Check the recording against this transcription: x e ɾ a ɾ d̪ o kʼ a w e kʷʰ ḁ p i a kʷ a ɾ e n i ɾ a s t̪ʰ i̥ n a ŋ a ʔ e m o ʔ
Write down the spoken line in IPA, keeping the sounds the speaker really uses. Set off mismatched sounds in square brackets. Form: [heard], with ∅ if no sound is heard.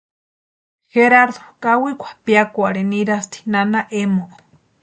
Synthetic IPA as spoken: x e ɾ a ɾ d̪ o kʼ a w [i] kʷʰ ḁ p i a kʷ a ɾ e n i ɾ a s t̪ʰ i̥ n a [n] a ʔ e m o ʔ